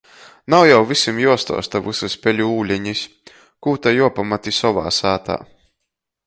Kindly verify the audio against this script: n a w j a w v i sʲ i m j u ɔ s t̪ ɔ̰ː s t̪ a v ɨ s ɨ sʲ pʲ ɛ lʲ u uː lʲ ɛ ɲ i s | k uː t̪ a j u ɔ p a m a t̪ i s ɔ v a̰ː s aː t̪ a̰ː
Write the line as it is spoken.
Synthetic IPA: n a w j a w v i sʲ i m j u ɔ s t̪ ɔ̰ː s t̪ a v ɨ s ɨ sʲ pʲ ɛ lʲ u uː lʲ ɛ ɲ i s | k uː t̪ a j u ɔ p a m a t̪ i s ɔ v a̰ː s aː t̪ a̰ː